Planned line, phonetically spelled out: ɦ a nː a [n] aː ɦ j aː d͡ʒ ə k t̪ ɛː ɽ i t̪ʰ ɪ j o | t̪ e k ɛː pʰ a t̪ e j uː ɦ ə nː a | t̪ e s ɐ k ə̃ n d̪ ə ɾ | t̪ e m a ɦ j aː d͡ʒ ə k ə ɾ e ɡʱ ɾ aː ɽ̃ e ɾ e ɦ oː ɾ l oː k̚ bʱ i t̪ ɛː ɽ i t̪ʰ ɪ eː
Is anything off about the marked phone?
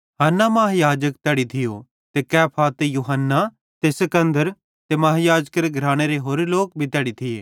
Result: yes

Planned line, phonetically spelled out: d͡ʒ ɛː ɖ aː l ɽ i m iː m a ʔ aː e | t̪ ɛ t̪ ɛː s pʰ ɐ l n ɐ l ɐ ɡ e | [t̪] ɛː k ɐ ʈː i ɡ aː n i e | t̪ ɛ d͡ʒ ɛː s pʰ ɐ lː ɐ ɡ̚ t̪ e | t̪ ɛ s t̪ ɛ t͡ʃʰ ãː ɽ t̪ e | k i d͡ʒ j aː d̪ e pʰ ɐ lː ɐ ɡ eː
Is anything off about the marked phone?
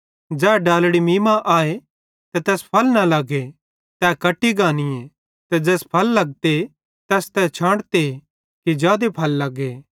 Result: no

